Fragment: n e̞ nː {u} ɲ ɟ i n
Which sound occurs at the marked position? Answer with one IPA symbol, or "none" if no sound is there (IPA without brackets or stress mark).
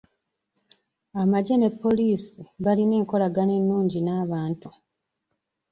uː